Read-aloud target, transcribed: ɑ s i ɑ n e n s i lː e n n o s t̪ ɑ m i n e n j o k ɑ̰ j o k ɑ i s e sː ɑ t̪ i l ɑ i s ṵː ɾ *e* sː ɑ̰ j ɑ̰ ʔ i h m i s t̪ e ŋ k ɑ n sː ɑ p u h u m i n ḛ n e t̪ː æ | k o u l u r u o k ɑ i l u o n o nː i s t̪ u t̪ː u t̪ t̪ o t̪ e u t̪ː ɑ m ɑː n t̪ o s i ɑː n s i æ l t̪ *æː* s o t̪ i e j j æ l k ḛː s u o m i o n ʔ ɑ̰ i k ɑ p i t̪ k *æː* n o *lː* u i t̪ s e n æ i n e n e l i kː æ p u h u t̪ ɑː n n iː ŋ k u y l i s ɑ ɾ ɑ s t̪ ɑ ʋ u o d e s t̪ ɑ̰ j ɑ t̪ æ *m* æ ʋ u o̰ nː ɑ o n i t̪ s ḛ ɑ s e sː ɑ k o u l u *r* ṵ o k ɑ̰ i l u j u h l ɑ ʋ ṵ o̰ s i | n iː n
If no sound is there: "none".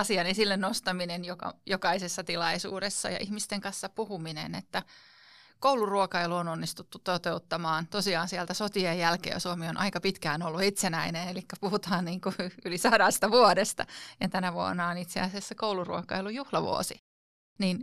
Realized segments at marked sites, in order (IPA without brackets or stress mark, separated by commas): e, æ, æː, lː, n, r